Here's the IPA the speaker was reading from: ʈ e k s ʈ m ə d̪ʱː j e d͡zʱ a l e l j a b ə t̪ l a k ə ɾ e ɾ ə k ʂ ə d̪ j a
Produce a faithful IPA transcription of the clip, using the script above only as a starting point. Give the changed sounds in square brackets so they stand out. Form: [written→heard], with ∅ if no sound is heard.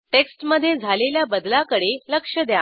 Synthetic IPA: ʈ e k s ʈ m ə d̪ʱː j e d͡zʱ a l e l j a b ə [t̪→d̪] l a k ə [ɾ→ɽ] e [ɾ→l] ə k ʂ ə d̪ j a